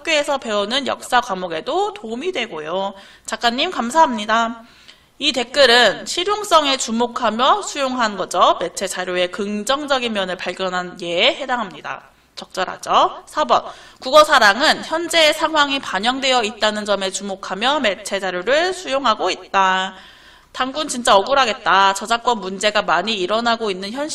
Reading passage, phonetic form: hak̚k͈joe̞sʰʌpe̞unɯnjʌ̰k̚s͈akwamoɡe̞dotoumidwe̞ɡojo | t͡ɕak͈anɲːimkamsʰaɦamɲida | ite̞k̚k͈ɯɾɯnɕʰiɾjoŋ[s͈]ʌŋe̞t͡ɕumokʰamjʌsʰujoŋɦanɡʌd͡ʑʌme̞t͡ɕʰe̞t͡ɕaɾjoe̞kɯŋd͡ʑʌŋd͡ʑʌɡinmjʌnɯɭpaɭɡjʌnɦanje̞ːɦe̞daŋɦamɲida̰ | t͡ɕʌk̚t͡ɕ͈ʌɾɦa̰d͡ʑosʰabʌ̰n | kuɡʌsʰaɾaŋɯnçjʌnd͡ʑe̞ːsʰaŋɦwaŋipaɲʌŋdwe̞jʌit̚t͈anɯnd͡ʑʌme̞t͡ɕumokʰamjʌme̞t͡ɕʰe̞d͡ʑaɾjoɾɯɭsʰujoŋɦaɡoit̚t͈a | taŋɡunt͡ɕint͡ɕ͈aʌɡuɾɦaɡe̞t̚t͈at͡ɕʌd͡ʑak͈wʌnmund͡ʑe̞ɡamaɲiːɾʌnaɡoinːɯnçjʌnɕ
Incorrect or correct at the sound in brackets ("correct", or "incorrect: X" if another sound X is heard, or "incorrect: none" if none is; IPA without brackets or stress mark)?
correct